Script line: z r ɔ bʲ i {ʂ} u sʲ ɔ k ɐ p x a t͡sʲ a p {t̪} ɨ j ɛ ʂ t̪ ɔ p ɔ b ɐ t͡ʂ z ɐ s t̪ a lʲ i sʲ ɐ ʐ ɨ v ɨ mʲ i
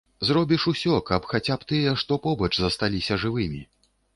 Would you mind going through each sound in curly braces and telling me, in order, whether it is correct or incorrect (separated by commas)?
correct, correct